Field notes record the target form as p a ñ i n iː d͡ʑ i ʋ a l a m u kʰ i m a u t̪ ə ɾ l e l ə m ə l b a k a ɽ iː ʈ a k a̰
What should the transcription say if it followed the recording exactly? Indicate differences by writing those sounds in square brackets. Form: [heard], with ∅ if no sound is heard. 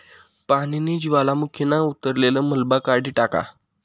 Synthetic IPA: p a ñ i n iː d͡ʑ i ʋ a l a m u kʰ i [n] a u t̪ ə ɾ l e l ə m ə l b a k a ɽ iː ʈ a k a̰